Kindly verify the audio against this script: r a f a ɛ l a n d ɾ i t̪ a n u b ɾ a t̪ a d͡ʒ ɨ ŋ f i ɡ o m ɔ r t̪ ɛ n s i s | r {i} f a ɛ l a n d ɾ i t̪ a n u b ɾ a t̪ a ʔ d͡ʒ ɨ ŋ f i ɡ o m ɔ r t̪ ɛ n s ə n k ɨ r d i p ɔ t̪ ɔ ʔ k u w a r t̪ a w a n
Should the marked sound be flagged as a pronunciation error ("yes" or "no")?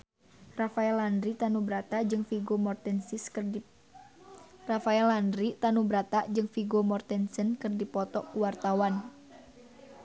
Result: yes